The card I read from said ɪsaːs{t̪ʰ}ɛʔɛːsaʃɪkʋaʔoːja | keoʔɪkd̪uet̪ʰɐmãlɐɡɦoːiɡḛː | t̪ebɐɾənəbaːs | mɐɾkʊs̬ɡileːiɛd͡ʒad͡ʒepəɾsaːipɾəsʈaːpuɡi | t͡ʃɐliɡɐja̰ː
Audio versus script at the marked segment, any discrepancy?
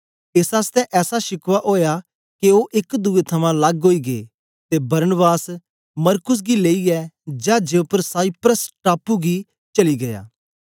yes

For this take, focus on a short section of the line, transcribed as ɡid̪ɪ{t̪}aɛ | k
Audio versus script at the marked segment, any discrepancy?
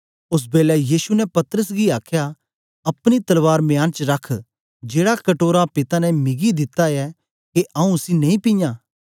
no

